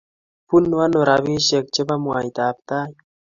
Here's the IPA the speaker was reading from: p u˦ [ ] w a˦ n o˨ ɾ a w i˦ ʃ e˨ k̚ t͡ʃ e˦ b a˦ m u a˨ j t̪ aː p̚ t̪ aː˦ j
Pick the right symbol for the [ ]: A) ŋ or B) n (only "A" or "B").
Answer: B